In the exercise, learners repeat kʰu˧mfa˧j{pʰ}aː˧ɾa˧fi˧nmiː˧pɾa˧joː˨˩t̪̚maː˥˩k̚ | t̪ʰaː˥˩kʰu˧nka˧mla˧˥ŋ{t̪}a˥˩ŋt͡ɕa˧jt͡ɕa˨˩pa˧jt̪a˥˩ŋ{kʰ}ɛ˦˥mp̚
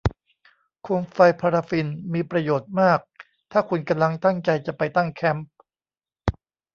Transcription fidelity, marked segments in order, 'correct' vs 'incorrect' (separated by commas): correct, correct, correct